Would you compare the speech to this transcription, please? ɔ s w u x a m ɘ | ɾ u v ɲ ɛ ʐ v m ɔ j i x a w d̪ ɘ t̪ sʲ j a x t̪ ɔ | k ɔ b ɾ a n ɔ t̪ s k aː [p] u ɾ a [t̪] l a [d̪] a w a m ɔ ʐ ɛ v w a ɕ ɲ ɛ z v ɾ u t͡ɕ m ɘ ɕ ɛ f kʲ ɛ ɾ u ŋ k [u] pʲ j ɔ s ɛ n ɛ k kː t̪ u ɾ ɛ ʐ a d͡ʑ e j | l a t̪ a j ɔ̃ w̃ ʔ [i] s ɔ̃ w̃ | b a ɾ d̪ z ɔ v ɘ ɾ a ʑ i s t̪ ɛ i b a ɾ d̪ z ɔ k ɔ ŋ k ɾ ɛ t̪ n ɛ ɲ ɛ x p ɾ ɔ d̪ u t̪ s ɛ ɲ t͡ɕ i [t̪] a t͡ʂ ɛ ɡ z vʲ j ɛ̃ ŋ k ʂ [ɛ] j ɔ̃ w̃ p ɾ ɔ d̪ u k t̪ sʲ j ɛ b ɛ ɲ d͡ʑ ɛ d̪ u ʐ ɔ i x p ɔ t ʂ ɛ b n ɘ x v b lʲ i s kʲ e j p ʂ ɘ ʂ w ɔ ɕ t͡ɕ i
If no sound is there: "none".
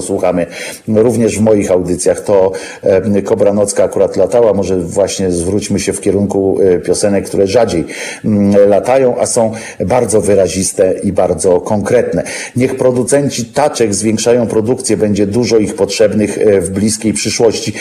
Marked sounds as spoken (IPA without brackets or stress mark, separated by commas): k, t̪, t̪, u, a, t̪, a